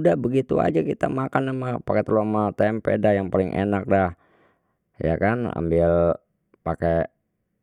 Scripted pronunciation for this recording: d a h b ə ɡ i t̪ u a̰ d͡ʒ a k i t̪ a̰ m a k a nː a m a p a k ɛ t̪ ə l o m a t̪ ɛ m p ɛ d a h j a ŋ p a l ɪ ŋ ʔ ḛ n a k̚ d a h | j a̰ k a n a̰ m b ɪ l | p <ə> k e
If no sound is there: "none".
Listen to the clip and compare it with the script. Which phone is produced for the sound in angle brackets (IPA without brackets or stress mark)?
a